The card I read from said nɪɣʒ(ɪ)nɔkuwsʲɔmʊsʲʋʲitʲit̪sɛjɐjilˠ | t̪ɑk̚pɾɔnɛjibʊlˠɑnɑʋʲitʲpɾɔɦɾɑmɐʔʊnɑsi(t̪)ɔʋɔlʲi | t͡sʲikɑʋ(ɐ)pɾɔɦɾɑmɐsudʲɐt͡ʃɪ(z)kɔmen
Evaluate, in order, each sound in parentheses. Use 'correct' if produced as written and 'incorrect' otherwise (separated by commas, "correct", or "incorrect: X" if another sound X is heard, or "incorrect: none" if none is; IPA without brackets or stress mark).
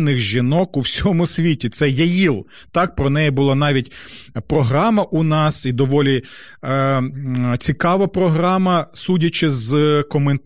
incorrect: i, incorrect: d̪, correct, correct